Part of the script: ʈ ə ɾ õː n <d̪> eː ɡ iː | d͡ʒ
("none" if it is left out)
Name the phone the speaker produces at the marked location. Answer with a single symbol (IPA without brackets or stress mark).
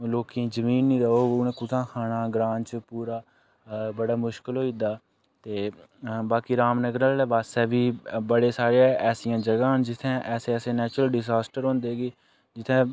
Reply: d̪